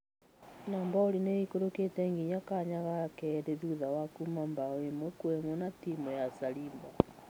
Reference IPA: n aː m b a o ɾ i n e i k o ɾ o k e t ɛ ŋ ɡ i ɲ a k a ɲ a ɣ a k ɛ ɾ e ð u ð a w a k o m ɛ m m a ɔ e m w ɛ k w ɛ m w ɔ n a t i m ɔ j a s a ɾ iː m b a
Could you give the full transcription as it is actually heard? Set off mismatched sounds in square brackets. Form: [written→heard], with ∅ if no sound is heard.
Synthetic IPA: n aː m b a o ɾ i n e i k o ɾ o k e t ɛ ŋ ɡ i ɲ a k a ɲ a ɣ a k ɛ ɾ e ð u ð a w a k [o→u] m [ɛ→a] m [m→b] a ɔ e m w ɛ k w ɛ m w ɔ n a t i m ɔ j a s a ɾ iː m b a